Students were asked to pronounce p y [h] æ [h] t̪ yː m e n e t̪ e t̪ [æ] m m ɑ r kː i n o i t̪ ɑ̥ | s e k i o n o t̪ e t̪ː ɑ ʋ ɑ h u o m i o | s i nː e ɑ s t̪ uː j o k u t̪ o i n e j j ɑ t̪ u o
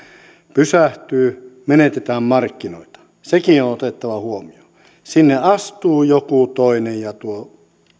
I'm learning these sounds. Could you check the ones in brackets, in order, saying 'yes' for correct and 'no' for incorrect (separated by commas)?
no, yes, no